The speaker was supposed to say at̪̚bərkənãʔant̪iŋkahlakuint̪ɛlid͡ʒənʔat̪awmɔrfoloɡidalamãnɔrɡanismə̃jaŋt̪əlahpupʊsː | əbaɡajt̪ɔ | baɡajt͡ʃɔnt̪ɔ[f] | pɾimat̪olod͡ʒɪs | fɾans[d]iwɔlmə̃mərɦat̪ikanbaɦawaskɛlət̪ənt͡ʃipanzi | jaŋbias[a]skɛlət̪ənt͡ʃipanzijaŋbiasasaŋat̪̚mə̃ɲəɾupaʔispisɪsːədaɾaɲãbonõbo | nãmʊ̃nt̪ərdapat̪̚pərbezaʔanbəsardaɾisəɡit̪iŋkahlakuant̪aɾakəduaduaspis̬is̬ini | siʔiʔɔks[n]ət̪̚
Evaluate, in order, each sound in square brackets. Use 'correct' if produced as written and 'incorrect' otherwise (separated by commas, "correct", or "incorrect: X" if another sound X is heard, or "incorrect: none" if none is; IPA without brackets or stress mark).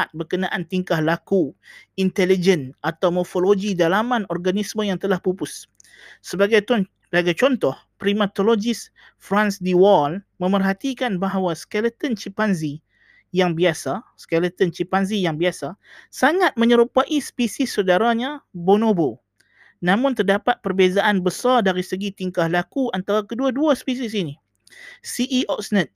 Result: incorrect: h, correct, correct, correct